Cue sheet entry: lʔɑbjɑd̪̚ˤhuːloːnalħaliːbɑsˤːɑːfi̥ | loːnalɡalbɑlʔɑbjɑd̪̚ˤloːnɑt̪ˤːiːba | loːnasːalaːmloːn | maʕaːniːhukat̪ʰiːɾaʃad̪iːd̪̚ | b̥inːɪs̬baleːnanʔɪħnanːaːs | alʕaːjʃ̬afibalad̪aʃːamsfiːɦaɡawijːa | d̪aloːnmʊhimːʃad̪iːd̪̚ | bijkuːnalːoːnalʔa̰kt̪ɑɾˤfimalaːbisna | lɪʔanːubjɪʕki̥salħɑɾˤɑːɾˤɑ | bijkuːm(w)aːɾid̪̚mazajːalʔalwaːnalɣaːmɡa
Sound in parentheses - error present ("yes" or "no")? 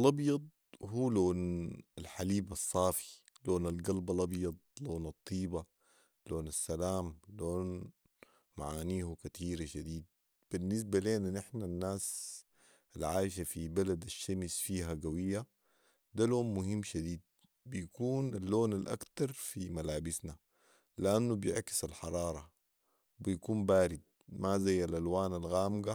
yes